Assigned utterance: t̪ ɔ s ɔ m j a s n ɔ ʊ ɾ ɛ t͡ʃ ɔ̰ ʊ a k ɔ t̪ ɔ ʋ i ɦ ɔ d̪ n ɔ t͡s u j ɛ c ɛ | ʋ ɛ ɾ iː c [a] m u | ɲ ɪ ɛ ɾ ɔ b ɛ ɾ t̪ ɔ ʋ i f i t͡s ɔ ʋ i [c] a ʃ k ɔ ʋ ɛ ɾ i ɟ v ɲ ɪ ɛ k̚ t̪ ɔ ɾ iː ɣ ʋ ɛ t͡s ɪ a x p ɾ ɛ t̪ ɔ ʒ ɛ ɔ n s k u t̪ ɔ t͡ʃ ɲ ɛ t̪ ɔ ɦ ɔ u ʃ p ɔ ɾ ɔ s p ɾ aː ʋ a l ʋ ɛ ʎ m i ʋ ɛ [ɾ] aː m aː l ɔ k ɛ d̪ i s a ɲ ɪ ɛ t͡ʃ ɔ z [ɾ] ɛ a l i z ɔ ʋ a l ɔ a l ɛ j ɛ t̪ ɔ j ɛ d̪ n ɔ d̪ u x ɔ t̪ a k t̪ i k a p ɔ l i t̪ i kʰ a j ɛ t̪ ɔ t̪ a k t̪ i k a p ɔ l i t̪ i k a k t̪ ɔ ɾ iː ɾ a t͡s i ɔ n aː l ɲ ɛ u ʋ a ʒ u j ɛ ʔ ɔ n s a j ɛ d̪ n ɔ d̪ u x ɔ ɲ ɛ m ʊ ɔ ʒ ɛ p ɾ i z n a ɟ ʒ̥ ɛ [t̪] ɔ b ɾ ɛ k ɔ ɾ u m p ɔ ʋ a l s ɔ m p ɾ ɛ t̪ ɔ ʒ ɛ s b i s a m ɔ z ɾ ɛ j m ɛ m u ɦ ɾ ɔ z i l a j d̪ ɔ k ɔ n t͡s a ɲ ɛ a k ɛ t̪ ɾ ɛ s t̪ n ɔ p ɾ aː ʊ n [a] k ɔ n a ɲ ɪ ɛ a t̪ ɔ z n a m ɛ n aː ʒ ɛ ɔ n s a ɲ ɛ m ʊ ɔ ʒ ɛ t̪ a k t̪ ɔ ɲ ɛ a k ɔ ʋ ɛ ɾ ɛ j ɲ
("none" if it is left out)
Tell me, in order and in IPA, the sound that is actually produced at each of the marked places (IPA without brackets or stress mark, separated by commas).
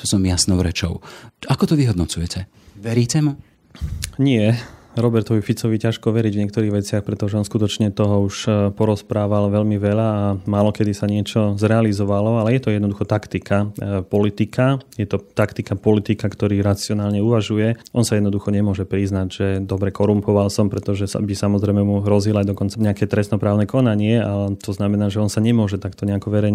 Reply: ɛ, c, ʎ, ɾ, d̪, ɛ